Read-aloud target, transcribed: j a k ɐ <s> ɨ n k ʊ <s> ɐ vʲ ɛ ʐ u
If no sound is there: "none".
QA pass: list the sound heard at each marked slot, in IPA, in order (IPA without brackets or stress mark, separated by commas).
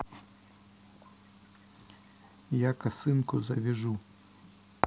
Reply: s, z